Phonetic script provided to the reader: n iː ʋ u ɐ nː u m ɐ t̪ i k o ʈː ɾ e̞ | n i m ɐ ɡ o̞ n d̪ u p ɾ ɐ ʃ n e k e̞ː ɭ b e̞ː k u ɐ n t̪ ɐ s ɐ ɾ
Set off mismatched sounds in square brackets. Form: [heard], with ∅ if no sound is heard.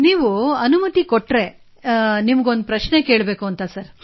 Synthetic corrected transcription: n iː ʋ u ɐ [n] u m ɐ t̪ i k o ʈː ɾ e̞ | n i m ɐ ɡ o̞ n d̪ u p ɾ ɐ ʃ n e k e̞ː ɭ b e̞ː k u ɐ n t̪ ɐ s ɐ ɾ